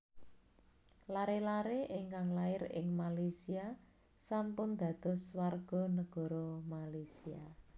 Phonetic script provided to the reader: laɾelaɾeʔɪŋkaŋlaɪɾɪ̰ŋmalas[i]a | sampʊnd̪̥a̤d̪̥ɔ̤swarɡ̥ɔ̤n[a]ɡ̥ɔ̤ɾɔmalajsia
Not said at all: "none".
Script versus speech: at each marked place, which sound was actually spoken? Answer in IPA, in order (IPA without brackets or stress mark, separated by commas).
i, ə